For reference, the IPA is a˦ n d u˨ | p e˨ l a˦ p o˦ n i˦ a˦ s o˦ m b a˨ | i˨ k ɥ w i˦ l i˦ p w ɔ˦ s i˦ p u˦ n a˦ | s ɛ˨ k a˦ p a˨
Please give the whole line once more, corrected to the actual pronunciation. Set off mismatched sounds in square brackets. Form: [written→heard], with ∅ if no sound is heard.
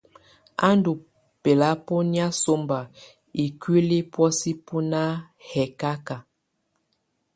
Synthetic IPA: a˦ n d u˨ | p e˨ l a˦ p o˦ n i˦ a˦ s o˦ m b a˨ | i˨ k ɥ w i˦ l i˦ p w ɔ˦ s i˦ p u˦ n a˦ | [s→h] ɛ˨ k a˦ [p→k] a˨

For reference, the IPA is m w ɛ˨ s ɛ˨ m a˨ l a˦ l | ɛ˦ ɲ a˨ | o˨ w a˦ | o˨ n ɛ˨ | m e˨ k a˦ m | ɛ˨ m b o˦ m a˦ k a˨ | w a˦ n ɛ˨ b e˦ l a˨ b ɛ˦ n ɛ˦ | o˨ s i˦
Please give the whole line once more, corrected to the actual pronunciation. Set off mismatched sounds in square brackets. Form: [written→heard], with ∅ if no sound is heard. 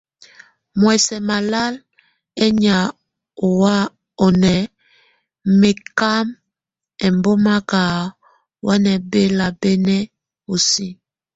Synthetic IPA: m w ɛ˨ s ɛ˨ m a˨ l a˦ l | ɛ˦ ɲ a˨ | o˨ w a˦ | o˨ n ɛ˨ | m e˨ k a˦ m | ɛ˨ m b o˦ m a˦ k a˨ | w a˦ n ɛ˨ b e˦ l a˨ b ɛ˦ n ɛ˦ | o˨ s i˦

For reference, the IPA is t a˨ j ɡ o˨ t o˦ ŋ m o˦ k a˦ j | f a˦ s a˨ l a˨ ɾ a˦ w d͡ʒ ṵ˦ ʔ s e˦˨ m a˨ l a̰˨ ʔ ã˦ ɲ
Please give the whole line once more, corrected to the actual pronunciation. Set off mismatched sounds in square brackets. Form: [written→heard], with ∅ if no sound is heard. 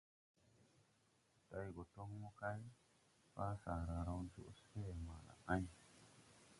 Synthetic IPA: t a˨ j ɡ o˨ t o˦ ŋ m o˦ k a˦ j | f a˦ s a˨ [l→ɾ] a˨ ɾ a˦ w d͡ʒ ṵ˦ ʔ s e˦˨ m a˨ l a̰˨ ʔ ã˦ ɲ

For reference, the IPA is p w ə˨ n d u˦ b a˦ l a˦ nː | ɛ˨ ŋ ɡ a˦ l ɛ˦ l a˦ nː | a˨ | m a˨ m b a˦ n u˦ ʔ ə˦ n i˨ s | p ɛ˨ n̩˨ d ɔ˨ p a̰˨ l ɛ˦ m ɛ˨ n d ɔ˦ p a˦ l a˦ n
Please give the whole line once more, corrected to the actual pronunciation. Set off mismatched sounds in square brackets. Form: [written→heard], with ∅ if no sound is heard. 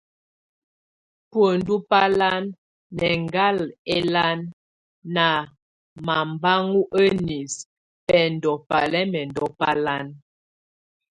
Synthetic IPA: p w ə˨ n d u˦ [b→p] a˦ l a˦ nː | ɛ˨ ŋ ɡ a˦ l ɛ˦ l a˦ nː | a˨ | m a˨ m b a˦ [n→ŋ] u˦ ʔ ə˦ n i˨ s | p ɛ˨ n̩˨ d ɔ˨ p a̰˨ l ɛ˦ m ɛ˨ n d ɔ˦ p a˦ l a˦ n

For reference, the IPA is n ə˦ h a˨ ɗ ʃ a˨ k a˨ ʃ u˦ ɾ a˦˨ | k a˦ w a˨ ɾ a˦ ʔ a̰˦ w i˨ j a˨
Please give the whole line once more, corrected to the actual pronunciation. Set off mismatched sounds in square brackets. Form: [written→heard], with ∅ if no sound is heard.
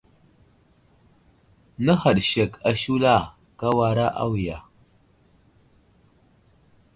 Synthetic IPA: n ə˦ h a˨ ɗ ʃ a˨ k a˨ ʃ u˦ [ɾ→l] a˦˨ | k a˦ w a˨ ɾ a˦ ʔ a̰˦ w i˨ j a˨

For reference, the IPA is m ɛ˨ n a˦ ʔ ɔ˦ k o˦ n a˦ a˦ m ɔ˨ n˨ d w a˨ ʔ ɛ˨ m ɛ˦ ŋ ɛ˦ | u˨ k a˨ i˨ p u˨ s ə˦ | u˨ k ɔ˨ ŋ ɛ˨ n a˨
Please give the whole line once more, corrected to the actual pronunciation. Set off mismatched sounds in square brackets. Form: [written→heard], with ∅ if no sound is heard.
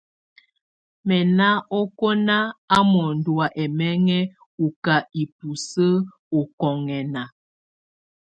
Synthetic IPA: m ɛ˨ n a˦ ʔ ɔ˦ k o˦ n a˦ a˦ m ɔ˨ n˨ d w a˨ ʔ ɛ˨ m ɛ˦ ŋ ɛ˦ | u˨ k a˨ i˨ p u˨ s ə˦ | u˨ k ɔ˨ ŋ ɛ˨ n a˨

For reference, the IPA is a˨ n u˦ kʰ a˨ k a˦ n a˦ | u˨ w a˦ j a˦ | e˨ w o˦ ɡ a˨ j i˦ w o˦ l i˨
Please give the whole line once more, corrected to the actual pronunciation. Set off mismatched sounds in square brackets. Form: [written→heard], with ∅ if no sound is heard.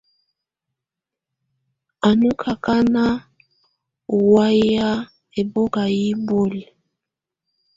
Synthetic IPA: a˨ n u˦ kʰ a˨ k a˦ n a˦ | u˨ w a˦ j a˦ | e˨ [w→b] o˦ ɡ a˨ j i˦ [w→b] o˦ l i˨

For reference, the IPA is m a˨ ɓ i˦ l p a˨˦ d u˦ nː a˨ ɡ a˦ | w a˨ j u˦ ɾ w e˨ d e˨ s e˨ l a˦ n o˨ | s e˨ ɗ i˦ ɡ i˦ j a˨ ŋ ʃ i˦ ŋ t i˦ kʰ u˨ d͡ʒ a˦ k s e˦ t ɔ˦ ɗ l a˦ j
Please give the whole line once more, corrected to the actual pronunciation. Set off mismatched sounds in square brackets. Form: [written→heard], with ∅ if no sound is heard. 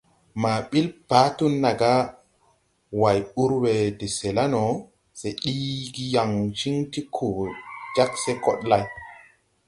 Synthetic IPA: m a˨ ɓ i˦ l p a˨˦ [d→t] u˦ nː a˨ ɡ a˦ | w a˨ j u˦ ɾ w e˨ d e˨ s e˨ l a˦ n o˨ | s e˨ ɗ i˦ ɡ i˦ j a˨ ŋ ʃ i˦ ŋ t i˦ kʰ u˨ d͡ʒ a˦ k s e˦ [t→k] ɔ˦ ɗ l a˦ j

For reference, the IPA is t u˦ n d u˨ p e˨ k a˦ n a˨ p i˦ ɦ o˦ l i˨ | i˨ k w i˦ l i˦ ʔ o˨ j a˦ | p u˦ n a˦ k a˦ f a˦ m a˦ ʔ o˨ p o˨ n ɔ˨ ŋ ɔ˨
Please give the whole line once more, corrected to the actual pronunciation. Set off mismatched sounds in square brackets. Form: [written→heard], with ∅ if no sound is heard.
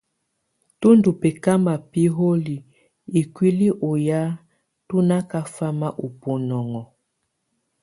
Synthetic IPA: t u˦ n d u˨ p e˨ k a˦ [n→m] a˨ p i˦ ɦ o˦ l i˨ | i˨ k w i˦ l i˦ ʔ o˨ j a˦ | [p→t] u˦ n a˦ k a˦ f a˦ m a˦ ʔ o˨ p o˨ n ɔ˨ ŋ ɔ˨

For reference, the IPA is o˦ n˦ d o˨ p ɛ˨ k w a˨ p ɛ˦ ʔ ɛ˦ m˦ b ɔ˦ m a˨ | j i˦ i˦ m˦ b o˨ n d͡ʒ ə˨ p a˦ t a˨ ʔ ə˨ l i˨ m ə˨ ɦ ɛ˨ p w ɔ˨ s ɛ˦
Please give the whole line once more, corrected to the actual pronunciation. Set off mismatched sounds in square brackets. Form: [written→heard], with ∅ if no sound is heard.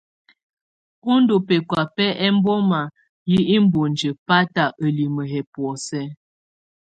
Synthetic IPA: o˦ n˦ d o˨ p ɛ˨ k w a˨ p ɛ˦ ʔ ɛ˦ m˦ b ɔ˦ m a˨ | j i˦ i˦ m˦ b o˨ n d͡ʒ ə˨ p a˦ t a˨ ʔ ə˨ l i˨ m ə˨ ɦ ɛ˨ p w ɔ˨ s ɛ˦

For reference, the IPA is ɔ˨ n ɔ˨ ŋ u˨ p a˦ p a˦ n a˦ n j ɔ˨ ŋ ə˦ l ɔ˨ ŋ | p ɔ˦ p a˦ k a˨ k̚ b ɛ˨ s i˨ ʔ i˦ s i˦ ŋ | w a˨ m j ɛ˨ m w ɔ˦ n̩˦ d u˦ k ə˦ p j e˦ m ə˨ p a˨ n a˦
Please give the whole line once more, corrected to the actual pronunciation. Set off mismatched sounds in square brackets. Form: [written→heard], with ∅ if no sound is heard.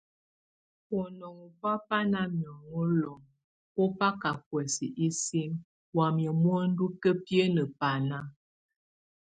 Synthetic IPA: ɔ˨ n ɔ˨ ŋ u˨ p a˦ p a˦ n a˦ [n→m] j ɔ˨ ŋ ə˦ l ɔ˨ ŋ | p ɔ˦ p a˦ k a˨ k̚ [b→w] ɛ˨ s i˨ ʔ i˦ s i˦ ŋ | w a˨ m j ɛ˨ m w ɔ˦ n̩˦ d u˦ k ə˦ p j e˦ [m→n] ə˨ p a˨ n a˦

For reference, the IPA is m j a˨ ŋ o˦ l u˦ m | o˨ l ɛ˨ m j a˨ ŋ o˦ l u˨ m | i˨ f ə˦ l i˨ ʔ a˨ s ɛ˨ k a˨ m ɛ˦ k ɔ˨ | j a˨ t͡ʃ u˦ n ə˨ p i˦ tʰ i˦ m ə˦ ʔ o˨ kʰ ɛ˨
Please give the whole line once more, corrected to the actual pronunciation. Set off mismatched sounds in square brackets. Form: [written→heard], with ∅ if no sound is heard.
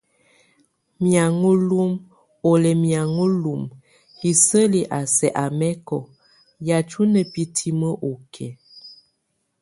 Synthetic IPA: m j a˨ ŋ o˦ l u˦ m | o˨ l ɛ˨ m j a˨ ŋ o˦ l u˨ m | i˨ [f→s] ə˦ l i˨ ʔ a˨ s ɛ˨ [k→ʔ] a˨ m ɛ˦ k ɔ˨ | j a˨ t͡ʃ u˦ n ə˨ p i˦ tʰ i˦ m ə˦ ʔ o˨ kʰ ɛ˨

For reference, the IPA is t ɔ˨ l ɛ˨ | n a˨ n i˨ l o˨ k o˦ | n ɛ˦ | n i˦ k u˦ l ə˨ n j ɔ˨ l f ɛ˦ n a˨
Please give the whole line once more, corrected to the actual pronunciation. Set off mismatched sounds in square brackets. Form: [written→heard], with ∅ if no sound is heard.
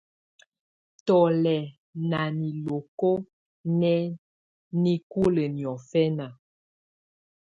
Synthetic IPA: t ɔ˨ l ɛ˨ | n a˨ n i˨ l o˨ k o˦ | n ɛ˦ | n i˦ k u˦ l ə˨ n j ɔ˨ [l→∅] f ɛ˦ n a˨

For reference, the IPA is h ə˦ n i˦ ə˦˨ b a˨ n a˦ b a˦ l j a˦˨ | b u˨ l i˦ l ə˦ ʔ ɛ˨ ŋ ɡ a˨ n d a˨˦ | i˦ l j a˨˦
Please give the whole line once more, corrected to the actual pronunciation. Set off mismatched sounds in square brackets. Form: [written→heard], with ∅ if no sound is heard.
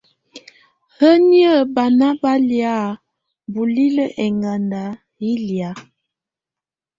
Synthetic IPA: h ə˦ n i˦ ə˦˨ b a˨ n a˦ b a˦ l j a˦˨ | b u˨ l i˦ l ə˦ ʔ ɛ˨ ŋ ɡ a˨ n d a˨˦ | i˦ l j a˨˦

